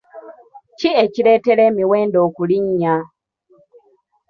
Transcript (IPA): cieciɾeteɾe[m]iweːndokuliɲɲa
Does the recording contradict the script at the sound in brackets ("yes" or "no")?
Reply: no